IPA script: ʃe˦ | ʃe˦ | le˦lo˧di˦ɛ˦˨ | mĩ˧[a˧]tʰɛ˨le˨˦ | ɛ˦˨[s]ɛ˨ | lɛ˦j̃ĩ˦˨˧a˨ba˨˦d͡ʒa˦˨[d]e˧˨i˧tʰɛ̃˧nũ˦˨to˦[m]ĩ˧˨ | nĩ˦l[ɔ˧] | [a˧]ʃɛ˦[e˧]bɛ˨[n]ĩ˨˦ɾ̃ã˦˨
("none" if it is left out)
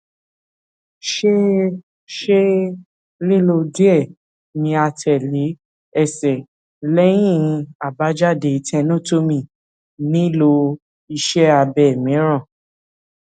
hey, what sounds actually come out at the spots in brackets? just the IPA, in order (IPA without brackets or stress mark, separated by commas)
a˧, s, d, m, o˧, i˧, a˧, m